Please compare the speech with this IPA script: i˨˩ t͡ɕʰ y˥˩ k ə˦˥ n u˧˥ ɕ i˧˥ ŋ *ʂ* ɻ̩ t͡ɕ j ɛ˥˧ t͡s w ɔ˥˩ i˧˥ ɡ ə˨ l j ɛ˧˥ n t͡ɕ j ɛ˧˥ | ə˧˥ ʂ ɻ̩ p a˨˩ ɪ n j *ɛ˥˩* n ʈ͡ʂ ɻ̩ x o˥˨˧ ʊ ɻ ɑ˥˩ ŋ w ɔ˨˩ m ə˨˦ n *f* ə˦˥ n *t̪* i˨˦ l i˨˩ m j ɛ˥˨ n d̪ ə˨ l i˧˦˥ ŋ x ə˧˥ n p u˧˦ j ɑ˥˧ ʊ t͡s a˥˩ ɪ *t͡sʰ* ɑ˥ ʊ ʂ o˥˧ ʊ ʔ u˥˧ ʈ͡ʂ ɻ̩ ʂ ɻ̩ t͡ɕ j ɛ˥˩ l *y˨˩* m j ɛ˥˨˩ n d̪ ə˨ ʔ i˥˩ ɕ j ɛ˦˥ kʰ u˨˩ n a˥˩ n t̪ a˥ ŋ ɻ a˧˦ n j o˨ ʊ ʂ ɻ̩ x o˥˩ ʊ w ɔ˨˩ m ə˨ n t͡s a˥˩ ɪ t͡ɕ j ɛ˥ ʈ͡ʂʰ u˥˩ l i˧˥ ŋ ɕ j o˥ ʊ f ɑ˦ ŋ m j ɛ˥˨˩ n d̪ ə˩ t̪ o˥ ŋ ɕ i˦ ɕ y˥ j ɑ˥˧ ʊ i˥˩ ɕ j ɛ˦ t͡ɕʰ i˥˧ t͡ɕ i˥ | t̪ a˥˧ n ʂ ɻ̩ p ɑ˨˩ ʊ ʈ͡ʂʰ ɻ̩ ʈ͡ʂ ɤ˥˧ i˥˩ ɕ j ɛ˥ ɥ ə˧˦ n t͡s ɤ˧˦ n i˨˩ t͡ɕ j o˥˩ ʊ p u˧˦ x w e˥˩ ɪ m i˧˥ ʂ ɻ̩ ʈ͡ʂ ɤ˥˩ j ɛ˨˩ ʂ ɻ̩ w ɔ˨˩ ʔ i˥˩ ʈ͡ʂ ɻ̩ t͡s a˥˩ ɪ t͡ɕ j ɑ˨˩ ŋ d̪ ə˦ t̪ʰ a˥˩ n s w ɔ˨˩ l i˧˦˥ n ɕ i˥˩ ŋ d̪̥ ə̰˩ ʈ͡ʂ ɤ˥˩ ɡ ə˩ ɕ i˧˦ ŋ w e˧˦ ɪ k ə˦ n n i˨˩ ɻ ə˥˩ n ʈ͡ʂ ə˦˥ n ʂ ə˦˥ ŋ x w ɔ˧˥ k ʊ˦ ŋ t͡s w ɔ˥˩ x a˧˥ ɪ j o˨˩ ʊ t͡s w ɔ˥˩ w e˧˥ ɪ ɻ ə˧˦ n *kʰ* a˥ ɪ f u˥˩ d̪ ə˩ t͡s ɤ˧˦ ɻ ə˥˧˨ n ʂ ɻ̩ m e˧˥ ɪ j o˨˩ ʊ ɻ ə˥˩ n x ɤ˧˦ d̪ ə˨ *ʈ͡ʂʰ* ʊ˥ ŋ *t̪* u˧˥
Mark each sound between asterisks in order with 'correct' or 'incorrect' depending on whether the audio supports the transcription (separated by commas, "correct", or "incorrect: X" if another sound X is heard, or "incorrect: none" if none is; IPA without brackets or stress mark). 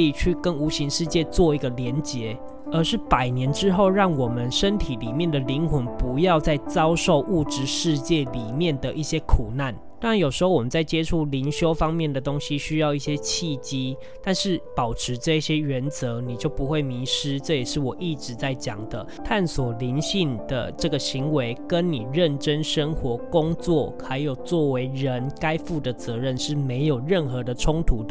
correct, incorrect: ɛ˧˦˥, incorrect: ʂ, incorrect: t̪ʰ, incorrect: t͡s, incorrect: i˨˩, incorrect: k, correct, incorrect: t̪ʰ